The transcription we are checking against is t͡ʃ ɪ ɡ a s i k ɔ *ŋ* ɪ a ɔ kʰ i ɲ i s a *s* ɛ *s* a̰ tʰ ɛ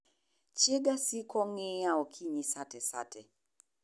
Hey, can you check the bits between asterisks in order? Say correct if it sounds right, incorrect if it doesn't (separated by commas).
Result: correct, incorrect, correct